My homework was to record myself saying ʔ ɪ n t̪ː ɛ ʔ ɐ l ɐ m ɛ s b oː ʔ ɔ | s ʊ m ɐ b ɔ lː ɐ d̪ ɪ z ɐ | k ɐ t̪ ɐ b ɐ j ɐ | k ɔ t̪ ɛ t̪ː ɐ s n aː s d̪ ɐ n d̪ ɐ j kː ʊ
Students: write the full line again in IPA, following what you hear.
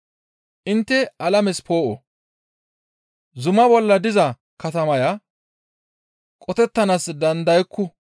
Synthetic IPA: ʔ ɪ n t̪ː ɛ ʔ ɐ l ɐ m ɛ s p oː ʔ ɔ | z ʊ m ɐ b ɔ lː ɐ d̪ ɪ z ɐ | k ɐ t̪ ɐ m ɐ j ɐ | kʼ ɔ t̪ ɛ t̪ː ɐ n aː s d̪ ɐ n d̪ ɐ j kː ʊ

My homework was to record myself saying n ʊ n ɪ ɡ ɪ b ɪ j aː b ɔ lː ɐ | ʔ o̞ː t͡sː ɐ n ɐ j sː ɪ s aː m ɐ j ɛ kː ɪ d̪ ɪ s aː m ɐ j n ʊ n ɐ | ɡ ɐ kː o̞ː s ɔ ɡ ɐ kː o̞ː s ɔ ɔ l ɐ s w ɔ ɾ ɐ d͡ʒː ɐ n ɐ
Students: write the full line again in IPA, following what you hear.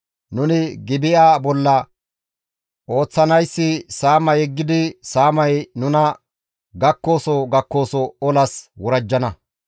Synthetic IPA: n ʊ n ɪ ɡ ɪ b ɪ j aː b ɔ lː ɐ | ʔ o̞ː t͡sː ɐ n ɐ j sː ɪ s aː m ɐ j ɛ ɡː ɪ d̪ ɪ s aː m ɐ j n ʊ n ɐ | ɡ ɐ kː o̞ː s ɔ ɡ ɐ kː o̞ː s ɔ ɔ l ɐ s w ɔ ɾ ɐ d͡ʒː ɐ n ɐ

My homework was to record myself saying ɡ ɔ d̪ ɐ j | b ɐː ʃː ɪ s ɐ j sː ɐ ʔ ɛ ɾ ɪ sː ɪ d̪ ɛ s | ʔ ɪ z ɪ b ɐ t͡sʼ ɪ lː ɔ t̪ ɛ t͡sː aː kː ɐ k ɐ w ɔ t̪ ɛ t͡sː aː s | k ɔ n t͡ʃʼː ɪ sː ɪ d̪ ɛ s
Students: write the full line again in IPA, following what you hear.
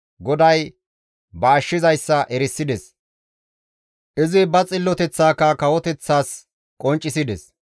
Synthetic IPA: ɡ ɔ d̪ ɐ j | b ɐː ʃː ɪ z ɐ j sː ɐ ʔ ɛ ɾ ɪ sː ɪ d̪ ɛ s | ʔ ɪ z ɪ b ɐ t͡sʼ ɪ lː ɔ t̪ ɛ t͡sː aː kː ɐ k ɐ w ɔ t̪ ɛ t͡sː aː s | kʼ ɔ n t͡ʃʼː ɪ s ɪ d̪ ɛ s

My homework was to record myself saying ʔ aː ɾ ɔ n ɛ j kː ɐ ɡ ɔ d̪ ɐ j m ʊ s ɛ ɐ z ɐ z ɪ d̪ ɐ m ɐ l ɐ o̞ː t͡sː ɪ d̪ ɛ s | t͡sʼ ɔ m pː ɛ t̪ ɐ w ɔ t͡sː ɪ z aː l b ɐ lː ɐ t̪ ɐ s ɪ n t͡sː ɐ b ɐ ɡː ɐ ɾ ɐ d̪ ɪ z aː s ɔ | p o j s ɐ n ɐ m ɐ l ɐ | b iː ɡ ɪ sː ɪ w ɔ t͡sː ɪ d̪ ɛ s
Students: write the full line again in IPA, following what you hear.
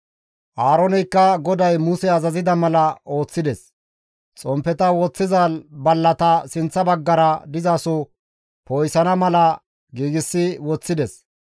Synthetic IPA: ʔ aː ɾ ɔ n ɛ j kː ɐ ɡ ɔ d̪ ɐ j m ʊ s ɛ ɐ z ɐ z ɪ d̪ ɐ m ɐ l ɐ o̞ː t͡sː ɪ d̪ ɛ s | t͡sʼ ɔ m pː ɛ t̪ ɐ w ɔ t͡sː ɪ z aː l b ɐ lː ɐ t̪ ɐ s ɪ n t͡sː ɐ b ɐ ɡː ɐ ɾ ɐ d̪ ɪ z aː s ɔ | p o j s ɐ n ɐ m ɐ l ɐ | ɡ iː ɡ ɪ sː ɪ w ɔ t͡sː ɪ d̪ ɛ s

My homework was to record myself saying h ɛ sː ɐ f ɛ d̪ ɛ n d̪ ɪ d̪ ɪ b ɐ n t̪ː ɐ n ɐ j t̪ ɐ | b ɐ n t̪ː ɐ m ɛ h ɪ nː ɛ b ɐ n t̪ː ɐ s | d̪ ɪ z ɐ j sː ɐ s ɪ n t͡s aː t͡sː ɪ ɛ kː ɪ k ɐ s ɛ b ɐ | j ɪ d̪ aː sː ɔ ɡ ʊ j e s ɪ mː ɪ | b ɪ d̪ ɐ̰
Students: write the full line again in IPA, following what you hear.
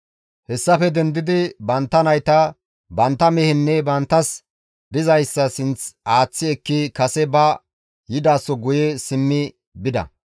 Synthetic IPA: h ɛ sː ɐ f ɛ d̪ ɛ n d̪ ɪ d̪ ɪ b ɐ n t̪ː ɐ n ɐ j t̪ ɐ | b ɐ n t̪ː ɐ m ɛ h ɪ nː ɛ b ɐ n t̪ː ɐ s | d̪ ɪ z ɐ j sː ɐ s ɪ n t͡s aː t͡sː ɪ ɛ kː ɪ k ɐ s ɛ b ɐ | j ɪ d̪ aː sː ɔ ɡ ʊ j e s ɪ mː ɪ | b ɪ d̪ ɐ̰

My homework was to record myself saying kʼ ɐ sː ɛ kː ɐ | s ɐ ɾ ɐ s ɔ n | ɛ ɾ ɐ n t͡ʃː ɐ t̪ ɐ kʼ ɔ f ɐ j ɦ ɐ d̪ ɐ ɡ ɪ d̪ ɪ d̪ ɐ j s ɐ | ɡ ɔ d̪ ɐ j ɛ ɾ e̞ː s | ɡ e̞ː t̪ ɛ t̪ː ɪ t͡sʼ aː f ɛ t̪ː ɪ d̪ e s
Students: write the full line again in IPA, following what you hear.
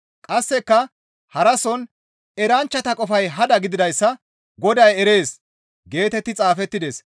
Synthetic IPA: kʼ ɐ sː ɛ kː ɐ | h ɐ ɾ ɐ s ɔ n | ɛ ɾ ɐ n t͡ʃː ɐ t̪ ɐ kʼ ɔ f ɐ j ɦ ɐ d̪ ɐ ɡ ɪ d̪ ɪ d̪ ɐ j sː ɐ | ɡ ɔ d̪ ɐ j ɛ ɾ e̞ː s | ɡ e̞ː t̪ ɛ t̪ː ɪ t͡sʼ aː f ɛ t̪ː ɪ d̪ e s

